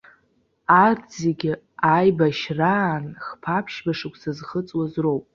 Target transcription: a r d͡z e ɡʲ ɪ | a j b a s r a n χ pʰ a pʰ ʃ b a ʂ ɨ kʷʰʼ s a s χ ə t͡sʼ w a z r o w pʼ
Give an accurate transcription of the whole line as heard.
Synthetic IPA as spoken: a r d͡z e ɡʲ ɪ | a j b a ʃ r a n χ pʰ a pʰ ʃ b a ʂ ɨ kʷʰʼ s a z χ ə t͡sʼ w a z r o w pʼ